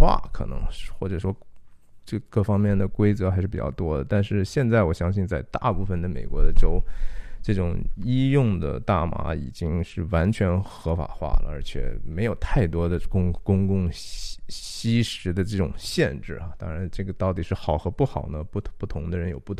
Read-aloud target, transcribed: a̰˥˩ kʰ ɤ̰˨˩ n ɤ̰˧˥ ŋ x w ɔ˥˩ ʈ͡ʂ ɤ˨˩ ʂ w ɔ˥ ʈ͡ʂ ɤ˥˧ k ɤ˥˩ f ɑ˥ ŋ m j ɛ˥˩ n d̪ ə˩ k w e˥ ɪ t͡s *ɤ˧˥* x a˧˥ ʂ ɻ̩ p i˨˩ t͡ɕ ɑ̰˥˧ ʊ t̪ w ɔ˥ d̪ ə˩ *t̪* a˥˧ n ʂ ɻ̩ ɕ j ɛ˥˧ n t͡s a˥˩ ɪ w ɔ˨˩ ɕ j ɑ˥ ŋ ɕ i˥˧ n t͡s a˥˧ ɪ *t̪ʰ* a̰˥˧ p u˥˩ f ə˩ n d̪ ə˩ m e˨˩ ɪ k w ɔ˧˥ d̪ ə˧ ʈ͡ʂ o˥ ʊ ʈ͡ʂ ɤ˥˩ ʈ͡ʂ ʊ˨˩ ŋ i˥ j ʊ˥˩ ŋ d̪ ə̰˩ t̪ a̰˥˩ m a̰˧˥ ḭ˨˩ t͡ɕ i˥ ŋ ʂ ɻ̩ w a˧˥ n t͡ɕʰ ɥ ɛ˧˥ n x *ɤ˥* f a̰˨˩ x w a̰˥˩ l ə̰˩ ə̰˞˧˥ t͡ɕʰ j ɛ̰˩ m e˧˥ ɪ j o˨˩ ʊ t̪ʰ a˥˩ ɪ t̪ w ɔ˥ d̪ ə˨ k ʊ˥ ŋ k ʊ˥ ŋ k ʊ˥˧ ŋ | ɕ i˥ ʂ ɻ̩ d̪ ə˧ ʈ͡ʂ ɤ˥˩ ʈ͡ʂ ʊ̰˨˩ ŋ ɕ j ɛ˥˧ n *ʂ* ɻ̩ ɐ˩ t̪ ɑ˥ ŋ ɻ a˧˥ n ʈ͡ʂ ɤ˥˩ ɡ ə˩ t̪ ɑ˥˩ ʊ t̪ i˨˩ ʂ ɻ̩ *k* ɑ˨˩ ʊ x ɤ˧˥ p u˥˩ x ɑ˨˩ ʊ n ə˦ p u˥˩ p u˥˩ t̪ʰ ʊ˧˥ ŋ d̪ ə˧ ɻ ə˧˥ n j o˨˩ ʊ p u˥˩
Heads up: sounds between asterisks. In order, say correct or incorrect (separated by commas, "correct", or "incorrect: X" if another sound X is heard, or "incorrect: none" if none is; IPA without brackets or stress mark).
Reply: correct, correct, incorrect: t̪, incorrect: ɤ˧˥, incorrect: ʈ͡ʂ, incorrect: x